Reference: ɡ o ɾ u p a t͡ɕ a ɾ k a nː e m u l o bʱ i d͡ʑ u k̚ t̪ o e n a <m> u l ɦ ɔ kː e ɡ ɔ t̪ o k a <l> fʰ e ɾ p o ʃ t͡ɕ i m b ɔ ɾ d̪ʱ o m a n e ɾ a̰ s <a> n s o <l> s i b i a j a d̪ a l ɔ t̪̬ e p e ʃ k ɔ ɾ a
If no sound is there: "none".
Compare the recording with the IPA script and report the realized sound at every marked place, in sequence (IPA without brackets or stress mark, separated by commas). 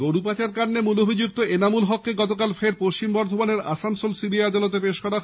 m, l, a, l